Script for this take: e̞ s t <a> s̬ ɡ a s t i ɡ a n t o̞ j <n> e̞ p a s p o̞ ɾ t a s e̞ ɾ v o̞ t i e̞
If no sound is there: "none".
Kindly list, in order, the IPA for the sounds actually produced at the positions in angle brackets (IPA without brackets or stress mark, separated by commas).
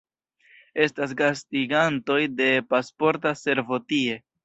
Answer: a, d